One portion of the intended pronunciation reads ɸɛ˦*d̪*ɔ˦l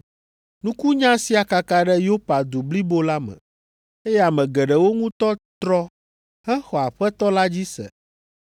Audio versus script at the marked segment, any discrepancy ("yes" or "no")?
yes